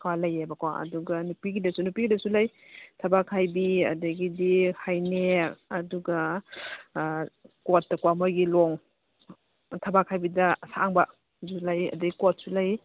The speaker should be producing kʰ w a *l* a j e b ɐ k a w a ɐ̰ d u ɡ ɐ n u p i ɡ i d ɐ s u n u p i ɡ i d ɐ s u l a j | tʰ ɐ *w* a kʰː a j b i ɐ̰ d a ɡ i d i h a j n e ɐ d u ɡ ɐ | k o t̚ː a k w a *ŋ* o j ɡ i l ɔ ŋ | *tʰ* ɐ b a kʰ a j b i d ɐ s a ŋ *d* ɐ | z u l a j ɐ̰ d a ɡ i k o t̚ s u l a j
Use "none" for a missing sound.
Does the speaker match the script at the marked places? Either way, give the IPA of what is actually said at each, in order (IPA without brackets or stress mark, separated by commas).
l, b, m, tʰ, b